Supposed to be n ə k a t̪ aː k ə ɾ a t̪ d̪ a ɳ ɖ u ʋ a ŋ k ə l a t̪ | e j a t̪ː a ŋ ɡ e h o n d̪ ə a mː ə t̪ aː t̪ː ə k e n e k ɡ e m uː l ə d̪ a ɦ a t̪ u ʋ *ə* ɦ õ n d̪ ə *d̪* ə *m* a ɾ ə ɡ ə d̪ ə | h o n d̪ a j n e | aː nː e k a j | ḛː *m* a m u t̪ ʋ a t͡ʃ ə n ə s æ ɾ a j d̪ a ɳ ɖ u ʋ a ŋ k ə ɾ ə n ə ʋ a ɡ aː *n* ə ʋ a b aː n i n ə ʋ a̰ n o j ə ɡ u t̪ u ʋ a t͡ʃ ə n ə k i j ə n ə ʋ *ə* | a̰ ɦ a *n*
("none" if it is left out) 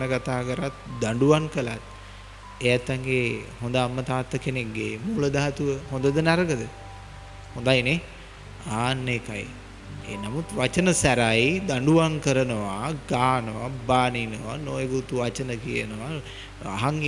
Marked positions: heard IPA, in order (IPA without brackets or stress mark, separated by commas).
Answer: ə, d̪, n, n, n, a, ŋ